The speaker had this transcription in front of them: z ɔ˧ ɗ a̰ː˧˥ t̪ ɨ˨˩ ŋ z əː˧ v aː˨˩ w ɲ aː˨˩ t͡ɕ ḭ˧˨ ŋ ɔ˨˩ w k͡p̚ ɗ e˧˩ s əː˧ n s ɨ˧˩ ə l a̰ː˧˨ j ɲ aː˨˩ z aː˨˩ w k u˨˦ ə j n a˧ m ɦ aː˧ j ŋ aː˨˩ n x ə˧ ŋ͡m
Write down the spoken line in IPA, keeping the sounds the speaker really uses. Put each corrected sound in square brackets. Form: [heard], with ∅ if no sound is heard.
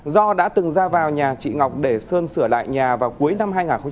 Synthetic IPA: z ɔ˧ ɗ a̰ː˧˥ t̪ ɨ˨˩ ŋ z [aː˧] v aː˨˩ w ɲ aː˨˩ t͡ɕ ḭ˧˨ ŋ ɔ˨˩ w k͡p̚ ɗ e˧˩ s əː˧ n s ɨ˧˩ ə l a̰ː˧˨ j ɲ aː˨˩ [v] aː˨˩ w k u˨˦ ə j n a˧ m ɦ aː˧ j ŋ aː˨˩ n x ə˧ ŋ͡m